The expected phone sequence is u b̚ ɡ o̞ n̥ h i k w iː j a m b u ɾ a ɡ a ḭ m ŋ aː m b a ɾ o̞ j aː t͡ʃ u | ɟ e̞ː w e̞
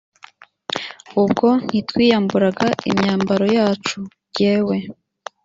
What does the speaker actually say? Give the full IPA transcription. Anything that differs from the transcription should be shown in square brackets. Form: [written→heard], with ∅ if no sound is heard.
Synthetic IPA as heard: u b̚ ɡ o̞ n̥ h i [k→t] w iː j a m b u ɾ a ɡ a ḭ m [ŋ→ɲ] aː m b a ɾ o̞ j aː t͡ʃ u | ɟ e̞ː w e̞

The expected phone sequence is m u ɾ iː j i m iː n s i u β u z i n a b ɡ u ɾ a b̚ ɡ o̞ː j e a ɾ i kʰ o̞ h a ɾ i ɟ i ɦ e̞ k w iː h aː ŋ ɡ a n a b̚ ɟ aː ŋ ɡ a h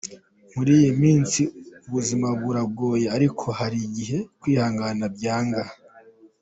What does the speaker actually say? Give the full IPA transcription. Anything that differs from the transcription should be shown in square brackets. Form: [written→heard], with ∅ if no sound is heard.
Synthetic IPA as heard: m u ɾ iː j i m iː n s i u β u z i [n→m] a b ɡ u ɾ a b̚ ɡ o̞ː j e a ɾ i kʰ o̞ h a ɾ i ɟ i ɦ e̞ k w iː h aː ŋ ɡ a n a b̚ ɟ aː ŋ ɡ a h

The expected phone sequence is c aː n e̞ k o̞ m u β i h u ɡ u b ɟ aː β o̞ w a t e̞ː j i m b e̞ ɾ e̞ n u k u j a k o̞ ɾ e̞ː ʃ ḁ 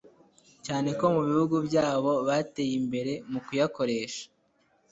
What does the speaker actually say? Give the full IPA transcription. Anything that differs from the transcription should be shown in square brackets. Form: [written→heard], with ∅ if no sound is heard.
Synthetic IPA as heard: c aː n e̞ k o̞ m u β i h u ɡ u b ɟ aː β o̞ [w→β] a t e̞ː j i m b e̞ ɾ e̞ [n→m] u k u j a k o̞ ɾ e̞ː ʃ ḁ

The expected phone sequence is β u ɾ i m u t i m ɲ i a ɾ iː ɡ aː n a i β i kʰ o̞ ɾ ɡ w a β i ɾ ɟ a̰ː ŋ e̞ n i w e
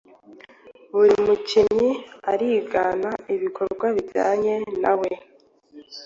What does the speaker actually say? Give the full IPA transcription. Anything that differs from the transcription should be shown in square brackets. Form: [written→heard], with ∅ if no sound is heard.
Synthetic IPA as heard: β u ɾ i m u [t→c] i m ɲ i a ɾ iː ɡ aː n a i β i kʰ o̞ ɾ ɡ w a β i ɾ ɟ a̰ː [ŋ→ɲ] e̞ n [i→a] w e

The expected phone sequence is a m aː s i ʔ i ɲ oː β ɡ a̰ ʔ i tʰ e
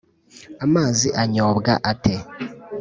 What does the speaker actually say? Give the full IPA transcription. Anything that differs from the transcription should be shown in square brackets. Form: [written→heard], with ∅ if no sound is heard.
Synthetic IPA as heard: a m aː [s→z] i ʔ [i→a] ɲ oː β ɡ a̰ ʔ [i→a] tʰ e

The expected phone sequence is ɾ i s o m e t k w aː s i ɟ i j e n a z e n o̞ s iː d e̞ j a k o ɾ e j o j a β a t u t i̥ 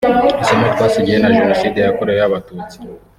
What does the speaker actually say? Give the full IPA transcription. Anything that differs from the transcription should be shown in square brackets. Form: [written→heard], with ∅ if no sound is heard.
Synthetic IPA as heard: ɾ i s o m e t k w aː s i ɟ i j e n a [z→ʒ] e n o̞ s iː d e̞ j a k o ɾ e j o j a β a t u [t→t͡s] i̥

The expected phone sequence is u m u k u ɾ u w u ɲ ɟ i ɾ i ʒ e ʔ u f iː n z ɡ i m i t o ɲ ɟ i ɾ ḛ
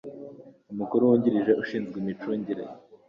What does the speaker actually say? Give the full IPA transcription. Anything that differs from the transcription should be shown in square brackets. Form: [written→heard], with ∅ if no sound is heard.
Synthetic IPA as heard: u m u k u ɾ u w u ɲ ɟ i ɾ i ʒ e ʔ u [f→ʃ] iː n z ɡ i m i [t→t͡ʃ] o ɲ ɟ i ɾ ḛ

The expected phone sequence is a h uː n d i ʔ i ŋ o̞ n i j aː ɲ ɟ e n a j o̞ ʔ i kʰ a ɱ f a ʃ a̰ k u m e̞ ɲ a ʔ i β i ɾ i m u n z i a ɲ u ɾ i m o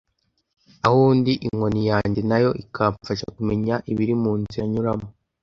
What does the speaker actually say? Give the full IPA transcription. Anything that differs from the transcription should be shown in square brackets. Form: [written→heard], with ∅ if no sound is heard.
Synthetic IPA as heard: a h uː n d i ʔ i ŋ o̞ n i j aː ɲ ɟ e n a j o̞ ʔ i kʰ a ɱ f a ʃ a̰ k u m e̞ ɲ a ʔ i β i ɾ i m [u→uː] n z i a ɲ u ɾ [i→a] m o

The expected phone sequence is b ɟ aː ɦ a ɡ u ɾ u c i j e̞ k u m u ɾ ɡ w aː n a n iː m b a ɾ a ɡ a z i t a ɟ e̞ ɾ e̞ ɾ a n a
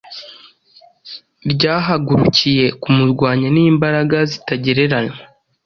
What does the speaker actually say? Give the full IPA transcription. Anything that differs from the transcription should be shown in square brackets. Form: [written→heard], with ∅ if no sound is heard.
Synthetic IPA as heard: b ɟ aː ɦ a ɡ u ɾ u c i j e̞ k u m u ɾ ɡ w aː [n→ɲ] a n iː m b a ɾ a ɡ a z i t a ɟ e̞ ɾ e̞ ɾ a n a

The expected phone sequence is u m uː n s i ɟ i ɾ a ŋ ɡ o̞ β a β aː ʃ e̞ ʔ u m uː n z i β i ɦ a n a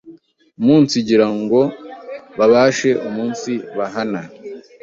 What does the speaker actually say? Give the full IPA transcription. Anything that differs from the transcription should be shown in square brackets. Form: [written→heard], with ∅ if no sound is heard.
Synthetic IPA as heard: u m uː n s i ɟ i ɾ a ŋ ɡ o̞ β a β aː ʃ e̞ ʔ u m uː n [z→s] i β [i→a] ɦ a n a

